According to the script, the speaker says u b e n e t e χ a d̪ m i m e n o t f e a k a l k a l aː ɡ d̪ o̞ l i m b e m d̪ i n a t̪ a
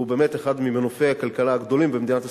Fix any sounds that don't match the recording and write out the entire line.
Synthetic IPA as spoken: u b e m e t e χ a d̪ m i m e n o f e a k a l k a l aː ɡ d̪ o̞ l i m b e m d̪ i n a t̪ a